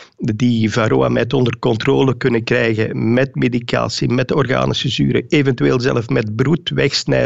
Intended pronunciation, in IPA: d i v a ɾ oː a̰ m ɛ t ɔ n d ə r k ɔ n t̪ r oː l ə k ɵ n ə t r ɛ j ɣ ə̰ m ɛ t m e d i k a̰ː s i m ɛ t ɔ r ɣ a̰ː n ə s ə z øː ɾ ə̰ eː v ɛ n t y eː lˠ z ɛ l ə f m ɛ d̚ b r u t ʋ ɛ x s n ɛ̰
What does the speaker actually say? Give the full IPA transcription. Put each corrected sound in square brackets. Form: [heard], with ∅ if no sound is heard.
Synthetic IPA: d i v a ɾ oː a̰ m ɛ t ɔ n d ə r k ɔ n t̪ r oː l ə k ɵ n ə [k] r ɛ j ɣ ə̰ m ɛ t m e d i k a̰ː s i m ɛ t ɔ r ɣ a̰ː n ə s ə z [yː] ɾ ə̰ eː v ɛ n t y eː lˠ z ɛ l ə f m ɛ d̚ b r u t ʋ ɛ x s n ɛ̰